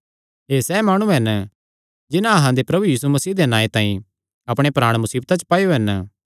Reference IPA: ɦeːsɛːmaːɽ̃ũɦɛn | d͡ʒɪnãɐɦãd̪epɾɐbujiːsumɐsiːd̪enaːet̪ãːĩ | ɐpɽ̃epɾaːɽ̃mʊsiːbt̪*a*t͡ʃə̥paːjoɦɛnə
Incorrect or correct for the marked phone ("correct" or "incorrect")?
correct